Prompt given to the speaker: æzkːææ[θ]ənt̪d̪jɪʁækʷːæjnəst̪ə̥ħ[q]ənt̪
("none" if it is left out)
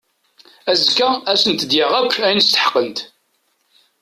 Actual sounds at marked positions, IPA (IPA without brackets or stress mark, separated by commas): s, q